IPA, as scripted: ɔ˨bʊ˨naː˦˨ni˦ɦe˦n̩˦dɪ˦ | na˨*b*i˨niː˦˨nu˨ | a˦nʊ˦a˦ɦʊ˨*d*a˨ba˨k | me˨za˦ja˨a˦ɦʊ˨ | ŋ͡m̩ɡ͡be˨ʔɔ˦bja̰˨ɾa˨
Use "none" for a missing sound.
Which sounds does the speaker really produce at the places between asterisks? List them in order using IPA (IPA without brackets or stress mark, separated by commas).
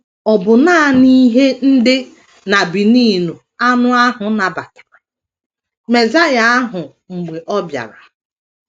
b, n